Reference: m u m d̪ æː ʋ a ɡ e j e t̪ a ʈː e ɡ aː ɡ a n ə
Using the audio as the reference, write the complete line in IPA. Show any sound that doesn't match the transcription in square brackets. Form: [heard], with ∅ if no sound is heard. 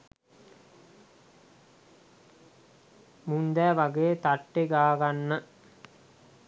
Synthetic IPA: m u [n] d̪ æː ʋ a ɡ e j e t̪ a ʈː e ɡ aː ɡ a [nː] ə